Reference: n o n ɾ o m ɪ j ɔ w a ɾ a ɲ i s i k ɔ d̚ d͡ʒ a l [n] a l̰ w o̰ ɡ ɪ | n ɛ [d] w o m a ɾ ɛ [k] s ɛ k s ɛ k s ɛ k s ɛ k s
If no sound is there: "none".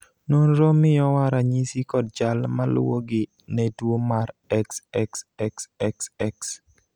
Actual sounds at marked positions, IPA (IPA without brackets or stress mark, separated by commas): m, d, k